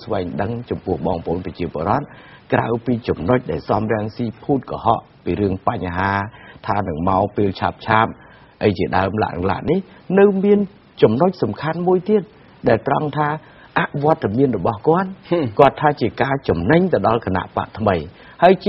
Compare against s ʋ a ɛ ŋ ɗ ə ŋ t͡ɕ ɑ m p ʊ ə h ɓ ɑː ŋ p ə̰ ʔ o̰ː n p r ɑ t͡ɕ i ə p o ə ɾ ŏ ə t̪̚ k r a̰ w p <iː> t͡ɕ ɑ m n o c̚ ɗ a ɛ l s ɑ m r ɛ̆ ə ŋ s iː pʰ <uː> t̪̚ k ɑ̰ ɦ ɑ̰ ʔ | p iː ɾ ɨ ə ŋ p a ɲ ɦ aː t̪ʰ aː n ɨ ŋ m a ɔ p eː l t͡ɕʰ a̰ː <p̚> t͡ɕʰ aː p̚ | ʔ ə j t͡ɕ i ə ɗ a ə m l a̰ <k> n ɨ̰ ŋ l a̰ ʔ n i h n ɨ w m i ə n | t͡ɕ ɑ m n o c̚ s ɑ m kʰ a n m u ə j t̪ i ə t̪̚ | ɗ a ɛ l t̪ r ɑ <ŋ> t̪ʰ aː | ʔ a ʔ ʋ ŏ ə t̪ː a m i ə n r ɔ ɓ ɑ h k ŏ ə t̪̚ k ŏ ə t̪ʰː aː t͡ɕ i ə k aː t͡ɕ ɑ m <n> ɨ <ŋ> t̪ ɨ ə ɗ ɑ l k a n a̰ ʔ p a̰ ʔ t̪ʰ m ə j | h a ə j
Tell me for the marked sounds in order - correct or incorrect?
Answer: correct, correct, correct, incorrect, correct, correct, incorrect

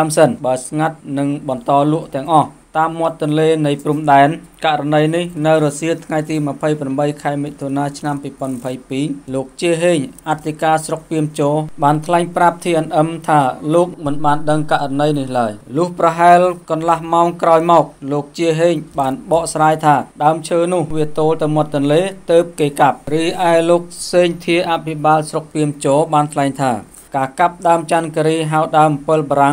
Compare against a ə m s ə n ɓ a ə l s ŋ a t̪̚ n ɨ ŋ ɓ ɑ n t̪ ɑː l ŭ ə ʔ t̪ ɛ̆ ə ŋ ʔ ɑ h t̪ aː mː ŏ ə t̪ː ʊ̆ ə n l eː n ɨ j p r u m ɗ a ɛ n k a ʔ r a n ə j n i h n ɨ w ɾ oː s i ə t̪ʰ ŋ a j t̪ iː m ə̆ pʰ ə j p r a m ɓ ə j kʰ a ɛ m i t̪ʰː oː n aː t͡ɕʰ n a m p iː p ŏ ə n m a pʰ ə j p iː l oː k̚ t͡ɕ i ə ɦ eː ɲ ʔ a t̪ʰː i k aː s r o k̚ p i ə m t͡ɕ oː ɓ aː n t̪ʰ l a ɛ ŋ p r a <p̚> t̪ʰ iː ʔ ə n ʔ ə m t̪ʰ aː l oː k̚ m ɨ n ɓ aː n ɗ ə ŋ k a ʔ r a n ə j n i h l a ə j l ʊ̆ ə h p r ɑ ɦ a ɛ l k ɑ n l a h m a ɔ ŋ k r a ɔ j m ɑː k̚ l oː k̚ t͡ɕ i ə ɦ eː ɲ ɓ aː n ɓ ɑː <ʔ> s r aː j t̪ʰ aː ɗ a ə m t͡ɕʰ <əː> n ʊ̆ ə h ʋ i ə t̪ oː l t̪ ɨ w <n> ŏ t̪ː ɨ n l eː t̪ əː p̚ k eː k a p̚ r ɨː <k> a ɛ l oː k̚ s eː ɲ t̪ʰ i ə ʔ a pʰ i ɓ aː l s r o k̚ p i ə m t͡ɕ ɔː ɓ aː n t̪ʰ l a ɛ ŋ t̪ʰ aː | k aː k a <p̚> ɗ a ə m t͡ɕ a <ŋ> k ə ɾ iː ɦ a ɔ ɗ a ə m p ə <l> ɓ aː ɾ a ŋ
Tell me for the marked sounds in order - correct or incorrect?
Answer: correct, correct, correct, incorrect, incorrect, correct, incorrect, correct

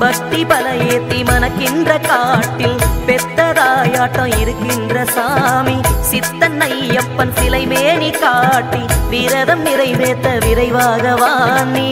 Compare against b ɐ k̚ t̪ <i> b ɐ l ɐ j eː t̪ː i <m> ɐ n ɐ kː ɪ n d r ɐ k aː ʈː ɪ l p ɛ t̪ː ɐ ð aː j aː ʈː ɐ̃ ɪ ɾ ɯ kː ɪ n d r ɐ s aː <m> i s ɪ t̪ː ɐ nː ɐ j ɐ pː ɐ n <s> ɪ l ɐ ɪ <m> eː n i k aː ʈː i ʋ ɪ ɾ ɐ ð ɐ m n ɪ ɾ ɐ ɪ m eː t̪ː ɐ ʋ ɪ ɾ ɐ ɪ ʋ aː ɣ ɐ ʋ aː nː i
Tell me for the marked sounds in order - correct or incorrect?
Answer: correct, correct, correct, correct, correct

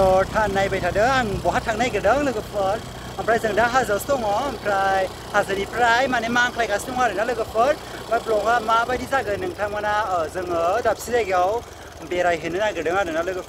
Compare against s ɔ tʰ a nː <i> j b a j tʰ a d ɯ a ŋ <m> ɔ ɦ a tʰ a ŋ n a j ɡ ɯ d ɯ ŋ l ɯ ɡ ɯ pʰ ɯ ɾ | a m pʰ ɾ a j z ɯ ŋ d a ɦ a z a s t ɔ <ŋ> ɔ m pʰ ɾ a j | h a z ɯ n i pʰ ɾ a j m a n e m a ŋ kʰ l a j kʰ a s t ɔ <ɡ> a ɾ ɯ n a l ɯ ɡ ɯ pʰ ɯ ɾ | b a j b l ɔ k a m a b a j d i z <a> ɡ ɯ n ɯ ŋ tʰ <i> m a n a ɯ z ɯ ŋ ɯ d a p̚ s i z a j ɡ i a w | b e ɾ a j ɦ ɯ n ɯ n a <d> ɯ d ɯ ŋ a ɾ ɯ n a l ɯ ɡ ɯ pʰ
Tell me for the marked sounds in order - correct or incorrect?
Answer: incorrect, incorrect, correct, incorrect, correct, incorrect, incorrect

